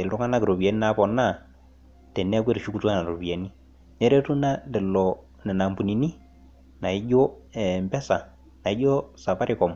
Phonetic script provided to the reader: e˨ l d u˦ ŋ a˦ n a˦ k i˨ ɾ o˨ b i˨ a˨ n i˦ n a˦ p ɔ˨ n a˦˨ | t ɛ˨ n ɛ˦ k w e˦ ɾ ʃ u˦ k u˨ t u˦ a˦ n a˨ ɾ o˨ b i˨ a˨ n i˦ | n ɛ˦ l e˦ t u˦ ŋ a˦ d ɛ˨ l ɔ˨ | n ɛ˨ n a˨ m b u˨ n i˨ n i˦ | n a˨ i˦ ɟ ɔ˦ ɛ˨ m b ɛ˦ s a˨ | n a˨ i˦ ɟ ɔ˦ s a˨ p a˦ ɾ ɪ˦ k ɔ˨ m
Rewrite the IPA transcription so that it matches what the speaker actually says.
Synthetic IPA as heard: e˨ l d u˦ ŋ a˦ n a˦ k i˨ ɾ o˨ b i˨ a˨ n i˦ n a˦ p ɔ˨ n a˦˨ | t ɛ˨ n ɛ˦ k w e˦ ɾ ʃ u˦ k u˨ t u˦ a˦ n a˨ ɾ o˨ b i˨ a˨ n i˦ | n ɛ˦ ɾ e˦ t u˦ n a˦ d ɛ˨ l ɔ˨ | n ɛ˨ n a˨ m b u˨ n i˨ n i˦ | n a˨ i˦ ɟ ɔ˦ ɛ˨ m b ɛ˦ s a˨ | n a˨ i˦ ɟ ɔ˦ s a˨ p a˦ ɾ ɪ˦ k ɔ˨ m